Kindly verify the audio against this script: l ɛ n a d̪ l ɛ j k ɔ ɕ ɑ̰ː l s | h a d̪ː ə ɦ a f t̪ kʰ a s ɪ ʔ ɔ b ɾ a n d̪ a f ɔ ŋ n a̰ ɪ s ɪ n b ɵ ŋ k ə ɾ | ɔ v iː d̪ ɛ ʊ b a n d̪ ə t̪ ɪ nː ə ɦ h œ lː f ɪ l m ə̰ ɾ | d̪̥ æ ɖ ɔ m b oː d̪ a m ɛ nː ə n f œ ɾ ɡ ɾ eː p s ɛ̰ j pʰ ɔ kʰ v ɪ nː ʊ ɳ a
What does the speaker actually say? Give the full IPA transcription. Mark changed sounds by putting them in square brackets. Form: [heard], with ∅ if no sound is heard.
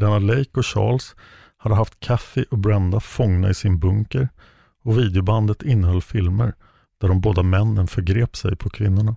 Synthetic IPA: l ɛ n a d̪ l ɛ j k ɔ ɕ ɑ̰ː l s | h a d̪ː ə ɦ a f t̪ kʰ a [f] ɪ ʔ ɔ b ɾ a n d̪ a f ɔ ŋ n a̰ ɪ s ɪ n b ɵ ŋ k ə ɾ | ɔ v iː d̪ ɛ ʊ b a n d̪ ə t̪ ɪ nː ə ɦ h œ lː f ɪ l m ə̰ ɾ | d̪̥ æ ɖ ɔ m b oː d̪ a m ɛ nː ə n f œ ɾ ɡ ɾ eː p s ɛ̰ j pʰ ɔ kʰ v ɪ nː ʊ ɳ a